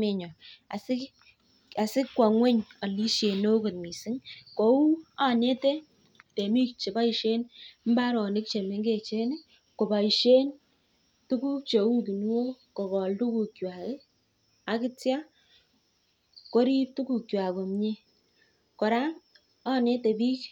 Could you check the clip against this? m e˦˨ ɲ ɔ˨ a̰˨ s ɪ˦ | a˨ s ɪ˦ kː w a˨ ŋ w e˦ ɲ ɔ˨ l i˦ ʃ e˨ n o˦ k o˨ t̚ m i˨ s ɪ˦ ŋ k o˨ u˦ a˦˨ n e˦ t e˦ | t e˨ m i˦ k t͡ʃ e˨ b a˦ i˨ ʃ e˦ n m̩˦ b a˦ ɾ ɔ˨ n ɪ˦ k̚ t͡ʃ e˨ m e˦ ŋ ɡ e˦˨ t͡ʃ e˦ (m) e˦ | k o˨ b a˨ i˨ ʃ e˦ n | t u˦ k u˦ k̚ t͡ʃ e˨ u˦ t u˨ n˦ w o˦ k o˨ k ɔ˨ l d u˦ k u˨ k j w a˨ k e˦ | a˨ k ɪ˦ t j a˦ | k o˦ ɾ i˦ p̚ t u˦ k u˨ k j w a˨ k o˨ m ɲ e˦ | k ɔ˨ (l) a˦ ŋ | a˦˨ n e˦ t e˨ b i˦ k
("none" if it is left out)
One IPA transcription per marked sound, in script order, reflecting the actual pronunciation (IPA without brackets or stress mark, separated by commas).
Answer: n, ɾ